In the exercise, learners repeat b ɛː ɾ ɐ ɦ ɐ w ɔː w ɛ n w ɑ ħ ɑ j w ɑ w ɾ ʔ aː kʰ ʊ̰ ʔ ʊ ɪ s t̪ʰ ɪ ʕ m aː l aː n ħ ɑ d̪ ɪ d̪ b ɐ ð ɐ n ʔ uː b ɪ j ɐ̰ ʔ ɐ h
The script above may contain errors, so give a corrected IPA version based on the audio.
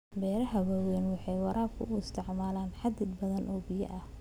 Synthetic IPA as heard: b ɛː ɾ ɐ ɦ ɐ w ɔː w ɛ n w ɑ ħ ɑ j w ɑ ɾ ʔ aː kʰ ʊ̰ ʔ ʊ ɪ s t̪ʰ ɪ ʕ m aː l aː n ħ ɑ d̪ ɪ d̪ b ɐ ð ɐ n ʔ ɔː b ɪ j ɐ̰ ʔ ɐ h